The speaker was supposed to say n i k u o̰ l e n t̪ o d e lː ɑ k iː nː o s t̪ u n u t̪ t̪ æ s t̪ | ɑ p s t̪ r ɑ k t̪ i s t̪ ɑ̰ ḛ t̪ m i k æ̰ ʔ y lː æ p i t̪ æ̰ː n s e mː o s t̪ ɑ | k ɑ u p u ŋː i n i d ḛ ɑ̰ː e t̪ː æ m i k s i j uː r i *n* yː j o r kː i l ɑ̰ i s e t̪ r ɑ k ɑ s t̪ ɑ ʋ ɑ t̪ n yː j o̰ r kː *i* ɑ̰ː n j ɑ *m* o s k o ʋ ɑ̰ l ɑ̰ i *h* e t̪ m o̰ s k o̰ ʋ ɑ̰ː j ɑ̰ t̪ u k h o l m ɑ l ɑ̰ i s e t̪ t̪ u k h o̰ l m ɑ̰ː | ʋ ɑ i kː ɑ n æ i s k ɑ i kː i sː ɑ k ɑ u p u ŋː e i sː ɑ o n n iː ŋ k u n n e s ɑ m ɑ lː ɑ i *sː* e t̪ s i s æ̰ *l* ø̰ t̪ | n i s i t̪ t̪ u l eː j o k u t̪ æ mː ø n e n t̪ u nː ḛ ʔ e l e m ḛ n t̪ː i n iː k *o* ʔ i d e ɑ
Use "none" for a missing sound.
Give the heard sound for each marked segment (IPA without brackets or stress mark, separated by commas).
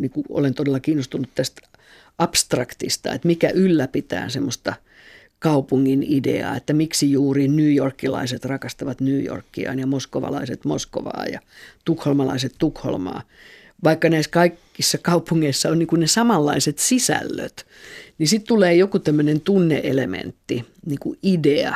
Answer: n, i, m, s, s, lː, u